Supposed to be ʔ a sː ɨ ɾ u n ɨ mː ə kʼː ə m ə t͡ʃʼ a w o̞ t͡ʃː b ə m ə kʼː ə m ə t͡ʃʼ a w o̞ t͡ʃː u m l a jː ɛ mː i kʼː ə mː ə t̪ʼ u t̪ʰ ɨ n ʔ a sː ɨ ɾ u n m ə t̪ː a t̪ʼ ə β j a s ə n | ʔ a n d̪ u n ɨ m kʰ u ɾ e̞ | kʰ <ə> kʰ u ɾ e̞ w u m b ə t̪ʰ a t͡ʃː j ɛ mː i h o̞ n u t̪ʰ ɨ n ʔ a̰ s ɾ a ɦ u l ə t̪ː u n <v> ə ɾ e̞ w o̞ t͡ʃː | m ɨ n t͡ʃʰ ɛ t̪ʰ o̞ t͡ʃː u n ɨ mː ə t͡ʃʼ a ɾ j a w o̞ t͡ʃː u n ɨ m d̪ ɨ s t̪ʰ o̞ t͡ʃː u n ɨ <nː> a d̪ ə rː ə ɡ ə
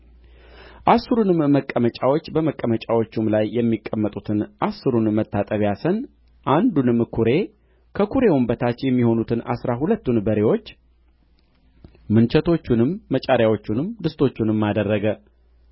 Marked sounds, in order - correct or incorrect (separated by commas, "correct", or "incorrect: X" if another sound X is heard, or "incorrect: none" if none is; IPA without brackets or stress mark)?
correct, incorrect: b, incorrect: mː